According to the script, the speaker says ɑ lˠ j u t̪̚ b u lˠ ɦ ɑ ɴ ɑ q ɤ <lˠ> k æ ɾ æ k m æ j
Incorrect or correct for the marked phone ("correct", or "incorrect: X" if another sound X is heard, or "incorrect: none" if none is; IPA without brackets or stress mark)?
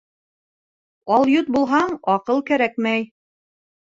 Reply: correct